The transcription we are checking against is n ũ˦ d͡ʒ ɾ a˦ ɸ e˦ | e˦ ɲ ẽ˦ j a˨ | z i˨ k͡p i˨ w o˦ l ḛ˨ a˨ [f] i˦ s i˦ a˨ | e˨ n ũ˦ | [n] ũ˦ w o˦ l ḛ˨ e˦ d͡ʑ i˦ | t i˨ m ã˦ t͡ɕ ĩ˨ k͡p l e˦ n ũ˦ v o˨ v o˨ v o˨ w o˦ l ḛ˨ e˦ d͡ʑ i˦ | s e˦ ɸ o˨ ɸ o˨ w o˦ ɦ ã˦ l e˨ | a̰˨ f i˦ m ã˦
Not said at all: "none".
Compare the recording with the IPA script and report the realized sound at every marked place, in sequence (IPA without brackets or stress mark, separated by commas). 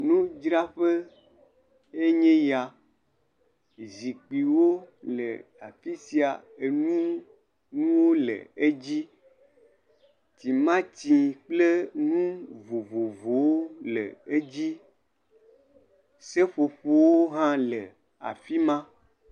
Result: f, n